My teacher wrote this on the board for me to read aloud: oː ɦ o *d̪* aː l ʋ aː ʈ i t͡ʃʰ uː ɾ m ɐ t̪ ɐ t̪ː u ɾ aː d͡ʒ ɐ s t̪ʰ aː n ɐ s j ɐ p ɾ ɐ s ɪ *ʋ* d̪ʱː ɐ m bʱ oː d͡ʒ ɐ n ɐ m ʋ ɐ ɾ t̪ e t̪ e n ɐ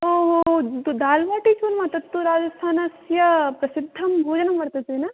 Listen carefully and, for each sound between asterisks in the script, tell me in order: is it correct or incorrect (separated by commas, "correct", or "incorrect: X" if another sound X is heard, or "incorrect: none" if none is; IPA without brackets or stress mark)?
correct, incorrect: none